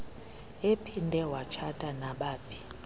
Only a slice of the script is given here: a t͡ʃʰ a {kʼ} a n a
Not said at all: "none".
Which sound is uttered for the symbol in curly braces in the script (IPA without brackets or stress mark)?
tʼ